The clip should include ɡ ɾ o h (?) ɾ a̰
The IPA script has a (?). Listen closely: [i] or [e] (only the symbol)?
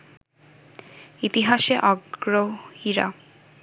i